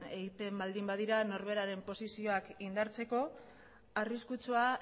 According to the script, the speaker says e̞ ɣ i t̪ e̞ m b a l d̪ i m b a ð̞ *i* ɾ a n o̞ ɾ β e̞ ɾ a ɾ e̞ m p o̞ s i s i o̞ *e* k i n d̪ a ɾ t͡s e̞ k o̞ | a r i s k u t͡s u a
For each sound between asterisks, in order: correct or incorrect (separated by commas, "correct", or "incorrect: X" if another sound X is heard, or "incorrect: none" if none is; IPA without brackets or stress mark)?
correct, incorrect: a